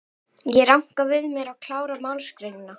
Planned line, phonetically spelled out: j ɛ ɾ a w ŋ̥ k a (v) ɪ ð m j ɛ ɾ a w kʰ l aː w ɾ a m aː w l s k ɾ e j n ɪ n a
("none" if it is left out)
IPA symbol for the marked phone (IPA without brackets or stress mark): v